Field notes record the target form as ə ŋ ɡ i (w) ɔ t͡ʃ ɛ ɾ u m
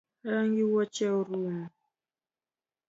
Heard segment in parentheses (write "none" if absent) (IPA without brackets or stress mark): w